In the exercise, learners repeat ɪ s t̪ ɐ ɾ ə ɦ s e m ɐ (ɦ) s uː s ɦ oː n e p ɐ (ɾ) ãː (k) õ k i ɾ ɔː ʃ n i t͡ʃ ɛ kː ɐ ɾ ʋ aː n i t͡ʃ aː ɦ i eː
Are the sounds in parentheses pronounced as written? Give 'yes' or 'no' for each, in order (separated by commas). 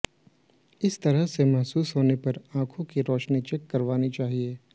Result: yes, yes, no